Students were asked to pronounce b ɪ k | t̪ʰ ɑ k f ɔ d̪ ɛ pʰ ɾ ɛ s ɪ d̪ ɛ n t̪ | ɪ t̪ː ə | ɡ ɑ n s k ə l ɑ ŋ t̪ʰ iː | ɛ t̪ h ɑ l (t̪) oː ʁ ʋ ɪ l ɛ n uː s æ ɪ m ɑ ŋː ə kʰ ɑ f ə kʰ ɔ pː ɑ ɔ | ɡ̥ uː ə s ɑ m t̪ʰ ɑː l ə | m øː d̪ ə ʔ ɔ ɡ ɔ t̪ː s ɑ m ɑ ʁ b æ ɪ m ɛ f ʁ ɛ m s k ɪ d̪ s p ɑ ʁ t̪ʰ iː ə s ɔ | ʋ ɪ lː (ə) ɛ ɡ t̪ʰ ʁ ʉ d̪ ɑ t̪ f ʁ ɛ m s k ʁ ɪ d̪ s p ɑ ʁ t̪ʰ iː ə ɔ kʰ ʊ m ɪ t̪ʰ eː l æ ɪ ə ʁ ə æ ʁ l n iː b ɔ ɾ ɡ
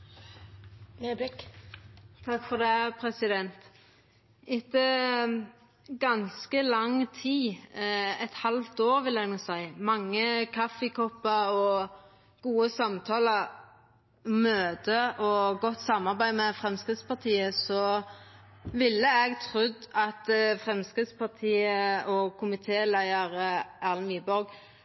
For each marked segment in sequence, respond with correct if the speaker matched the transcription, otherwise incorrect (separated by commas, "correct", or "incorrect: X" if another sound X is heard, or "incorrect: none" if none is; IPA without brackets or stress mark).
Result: correct, correct